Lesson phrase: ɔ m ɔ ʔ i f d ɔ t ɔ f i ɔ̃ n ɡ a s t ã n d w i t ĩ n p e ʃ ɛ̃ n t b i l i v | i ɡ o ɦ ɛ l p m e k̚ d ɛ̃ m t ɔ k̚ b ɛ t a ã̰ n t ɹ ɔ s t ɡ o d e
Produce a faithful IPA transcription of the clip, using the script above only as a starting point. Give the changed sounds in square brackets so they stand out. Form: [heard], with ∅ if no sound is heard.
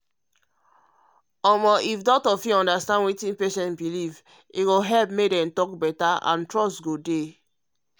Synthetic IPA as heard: ɔ m ɔ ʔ i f d ɔ t ɔ f i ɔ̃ n [d] a s t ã n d w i t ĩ n p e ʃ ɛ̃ n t b i l i v | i ɡ o ɦ ɛ l p m e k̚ d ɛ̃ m t ɔ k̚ b ɛ t a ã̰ n t ɹ ɔ s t ɡ o d e